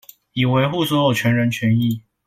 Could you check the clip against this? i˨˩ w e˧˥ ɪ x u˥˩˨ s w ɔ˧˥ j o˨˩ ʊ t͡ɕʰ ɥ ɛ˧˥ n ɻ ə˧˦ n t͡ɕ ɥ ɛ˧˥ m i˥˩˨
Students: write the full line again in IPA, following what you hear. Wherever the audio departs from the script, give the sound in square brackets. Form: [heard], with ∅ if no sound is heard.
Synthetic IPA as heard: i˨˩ w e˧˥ ɪ x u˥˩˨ s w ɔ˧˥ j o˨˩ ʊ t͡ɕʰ ɥ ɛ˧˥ n ɻ ə˧˦ n [t͡ɕʰ] ɥ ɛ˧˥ [n] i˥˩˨

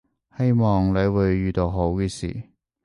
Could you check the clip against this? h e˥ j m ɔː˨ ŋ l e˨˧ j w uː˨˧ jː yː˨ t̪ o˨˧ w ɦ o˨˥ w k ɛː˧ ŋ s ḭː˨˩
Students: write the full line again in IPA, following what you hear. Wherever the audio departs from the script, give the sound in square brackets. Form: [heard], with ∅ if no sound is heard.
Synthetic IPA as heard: h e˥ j m ɔː˨ ŋ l e˨˧ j w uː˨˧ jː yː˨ t̪ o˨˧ w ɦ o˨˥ w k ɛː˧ [∅] s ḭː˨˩

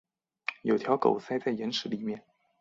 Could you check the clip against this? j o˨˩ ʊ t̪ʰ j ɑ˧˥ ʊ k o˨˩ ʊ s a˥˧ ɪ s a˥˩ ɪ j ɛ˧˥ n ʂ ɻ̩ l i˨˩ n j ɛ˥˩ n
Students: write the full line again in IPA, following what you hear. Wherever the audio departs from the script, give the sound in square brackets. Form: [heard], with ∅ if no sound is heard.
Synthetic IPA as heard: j o˨˩ ʊ t̪ʰ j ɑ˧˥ ʊ k o˨˩ ʊ s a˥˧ ɪ [t͡s] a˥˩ ɪ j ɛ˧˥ n ʂ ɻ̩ l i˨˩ [m] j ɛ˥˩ n

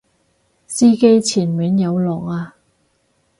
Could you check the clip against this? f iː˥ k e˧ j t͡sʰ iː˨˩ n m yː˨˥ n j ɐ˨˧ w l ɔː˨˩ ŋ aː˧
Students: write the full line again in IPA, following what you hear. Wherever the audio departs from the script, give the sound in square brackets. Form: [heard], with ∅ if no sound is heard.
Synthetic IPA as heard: [s] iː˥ k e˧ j t͡sʰ iː˨˩ n m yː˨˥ n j ɐ˨˧ w l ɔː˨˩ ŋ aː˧

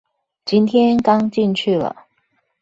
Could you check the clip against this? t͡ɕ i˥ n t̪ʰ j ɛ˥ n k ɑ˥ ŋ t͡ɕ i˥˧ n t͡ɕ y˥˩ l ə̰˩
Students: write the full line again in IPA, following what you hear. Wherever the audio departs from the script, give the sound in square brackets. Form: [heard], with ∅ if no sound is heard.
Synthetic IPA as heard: t͡ɕ i˥ n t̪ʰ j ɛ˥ n k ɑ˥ ŋ t͡ɕ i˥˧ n [t͡ɕʰ] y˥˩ l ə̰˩

